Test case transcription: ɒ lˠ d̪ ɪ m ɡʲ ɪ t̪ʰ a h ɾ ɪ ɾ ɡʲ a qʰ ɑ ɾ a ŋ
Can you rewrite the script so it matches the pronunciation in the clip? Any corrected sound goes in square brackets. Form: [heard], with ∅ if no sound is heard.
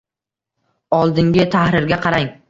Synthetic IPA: ɒ lˠ d̪ ɪ [ŋ] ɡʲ ɪ t̪ʰ a h ɾ ɪ ɾ ɡʲ a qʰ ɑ ɾ a ŋ